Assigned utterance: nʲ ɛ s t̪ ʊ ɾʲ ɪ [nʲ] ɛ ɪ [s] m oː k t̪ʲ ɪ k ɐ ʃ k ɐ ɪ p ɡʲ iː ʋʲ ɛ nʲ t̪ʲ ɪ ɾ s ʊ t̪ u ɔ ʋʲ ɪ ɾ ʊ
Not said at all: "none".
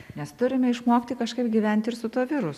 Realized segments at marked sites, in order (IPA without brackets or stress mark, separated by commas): mʲ, ʃ